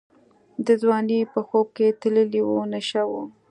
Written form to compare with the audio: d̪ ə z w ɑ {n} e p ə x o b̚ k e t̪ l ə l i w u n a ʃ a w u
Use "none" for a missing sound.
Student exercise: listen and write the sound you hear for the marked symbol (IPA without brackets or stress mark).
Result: n